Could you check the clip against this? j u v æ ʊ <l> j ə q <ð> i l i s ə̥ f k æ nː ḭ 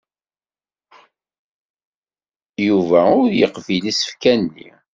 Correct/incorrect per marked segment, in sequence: incorrect, incorrect

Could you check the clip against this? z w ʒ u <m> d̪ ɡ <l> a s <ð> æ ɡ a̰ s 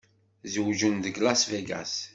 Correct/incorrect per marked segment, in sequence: incorrect, correct, incorrect

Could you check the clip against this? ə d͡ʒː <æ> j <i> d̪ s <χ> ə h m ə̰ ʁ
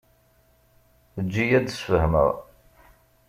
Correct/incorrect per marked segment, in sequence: incorrect, incorrect, incorrect

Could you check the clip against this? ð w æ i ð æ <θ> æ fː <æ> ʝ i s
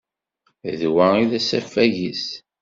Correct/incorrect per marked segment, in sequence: incorrect, correct

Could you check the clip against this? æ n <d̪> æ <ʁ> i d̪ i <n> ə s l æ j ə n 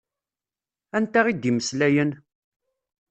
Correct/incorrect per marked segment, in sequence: incorrect, correct, incorrect

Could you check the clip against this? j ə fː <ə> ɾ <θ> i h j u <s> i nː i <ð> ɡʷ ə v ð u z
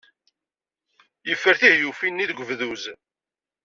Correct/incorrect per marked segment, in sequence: correct, correct, incorrect, correct

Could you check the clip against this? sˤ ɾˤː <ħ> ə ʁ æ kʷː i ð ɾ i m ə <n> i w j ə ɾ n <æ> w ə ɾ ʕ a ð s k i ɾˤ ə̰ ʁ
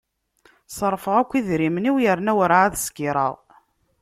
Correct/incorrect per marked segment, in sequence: incorrect, correct, correct

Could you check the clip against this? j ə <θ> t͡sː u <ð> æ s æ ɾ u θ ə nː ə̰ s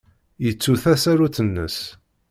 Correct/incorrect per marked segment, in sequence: incorrect, incorrect

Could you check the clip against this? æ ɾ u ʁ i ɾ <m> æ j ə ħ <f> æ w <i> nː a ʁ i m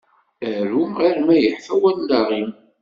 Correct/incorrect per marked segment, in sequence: correct, correct, incorrect

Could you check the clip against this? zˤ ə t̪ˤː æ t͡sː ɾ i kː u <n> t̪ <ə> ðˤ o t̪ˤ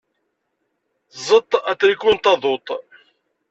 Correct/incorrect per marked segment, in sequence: correct, incorrect

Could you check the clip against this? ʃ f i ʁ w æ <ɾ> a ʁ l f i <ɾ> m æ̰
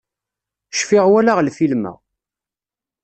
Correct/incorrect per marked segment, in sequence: incorrect, incorrect

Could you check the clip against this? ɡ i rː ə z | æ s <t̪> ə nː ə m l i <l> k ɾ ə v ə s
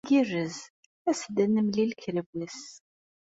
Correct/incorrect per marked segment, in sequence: incorrect, correct

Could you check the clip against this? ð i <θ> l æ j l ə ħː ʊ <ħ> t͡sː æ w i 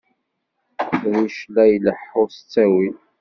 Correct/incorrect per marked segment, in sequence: incorrect, incorrect

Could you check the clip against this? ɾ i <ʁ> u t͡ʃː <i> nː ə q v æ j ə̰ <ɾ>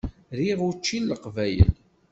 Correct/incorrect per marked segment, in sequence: correct, correct, incorrect

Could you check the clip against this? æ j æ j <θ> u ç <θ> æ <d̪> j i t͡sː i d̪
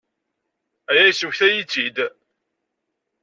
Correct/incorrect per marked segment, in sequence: incorrect, correct, incorrect

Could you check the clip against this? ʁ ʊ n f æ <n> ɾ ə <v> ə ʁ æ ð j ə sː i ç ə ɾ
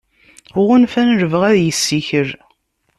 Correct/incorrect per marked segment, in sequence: correct, correct

